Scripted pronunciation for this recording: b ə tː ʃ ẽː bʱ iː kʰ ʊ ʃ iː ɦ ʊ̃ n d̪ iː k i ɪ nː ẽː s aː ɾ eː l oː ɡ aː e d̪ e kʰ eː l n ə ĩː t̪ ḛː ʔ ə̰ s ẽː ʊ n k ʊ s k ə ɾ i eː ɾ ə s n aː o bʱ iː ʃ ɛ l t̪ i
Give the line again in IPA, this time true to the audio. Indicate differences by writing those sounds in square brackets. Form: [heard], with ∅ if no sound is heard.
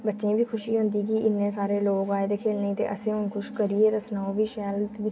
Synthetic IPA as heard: b ə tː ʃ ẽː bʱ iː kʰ ʊ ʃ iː ɦ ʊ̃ n d̪ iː k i ɪ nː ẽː s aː ɾ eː l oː ɡ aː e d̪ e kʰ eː l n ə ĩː t̪ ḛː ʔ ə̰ s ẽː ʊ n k ʊ [ʃ] k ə ɾ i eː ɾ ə s n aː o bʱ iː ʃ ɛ l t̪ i